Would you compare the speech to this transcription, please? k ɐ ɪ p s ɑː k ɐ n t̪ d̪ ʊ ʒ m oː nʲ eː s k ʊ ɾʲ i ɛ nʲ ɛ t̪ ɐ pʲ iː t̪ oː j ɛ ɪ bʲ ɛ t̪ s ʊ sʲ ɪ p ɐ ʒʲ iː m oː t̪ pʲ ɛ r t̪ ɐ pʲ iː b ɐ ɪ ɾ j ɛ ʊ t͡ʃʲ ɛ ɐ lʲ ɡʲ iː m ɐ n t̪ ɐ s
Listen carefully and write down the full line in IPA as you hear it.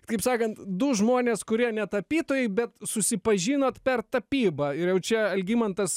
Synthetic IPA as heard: k ɐ ɪ p s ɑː k ɐ n t̪ d̪ ʊ ʒ m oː nʲ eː s k ʊ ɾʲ i ɛ nʲ ɛ t̪ ɐ pʲ iː t̪ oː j ɛ ɪ bʲ ɛ t̪ s ʊ sʲ ɪ p ɐ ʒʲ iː n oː t̪ pʲ ɛ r t̪ ɐ pʲ iː b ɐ ɪ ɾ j ɛ ʊ t͡ʃʲ ɛ ɐ lʲ ɡʲ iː m ɐ n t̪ ɐ s